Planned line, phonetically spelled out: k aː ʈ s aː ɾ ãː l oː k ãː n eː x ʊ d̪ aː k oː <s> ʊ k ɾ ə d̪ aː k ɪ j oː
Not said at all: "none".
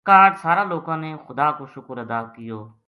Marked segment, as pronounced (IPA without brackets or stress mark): ʃ